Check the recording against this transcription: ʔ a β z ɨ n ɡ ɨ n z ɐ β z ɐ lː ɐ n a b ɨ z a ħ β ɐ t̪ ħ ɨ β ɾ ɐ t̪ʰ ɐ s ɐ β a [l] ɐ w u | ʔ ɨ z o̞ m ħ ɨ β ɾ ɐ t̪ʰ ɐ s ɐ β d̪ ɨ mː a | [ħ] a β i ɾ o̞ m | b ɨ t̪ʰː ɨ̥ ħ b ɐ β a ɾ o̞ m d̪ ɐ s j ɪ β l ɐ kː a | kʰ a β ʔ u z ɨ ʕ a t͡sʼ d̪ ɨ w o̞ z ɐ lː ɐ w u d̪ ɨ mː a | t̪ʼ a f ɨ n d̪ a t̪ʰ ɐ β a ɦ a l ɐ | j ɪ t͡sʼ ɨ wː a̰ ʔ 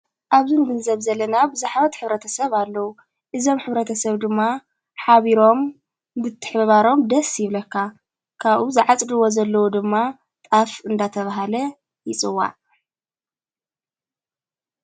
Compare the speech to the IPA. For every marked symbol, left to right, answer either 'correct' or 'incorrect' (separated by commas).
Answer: incorrect, correct